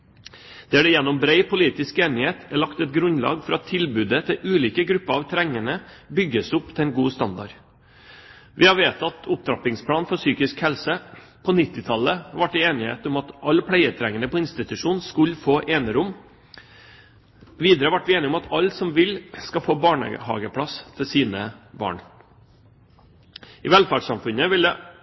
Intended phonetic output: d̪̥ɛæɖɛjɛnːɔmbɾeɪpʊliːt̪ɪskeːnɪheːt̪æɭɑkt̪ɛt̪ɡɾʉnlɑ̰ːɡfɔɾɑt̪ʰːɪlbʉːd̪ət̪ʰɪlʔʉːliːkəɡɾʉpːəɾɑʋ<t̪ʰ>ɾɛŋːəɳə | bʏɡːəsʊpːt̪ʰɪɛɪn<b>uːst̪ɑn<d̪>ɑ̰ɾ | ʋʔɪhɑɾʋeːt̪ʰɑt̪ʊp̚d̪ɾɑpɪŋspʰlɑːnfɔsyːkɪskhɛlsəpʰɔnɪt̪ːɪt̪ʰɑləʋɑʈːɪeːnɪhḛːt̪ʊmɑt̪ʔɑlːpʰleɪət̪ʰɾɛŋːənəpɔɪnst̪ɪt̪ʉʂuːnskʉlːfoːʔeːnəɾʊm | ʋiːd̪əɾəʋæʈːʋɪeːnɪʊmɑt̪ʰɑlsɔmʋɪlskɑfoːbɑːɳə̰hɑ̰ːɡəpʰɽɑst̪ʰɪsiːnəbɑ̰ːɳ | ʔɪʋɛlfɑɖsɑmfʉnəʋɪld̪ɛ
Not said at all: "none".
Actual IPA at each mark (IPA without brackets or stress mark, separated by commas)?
t̪ʰ, ɡ, d̪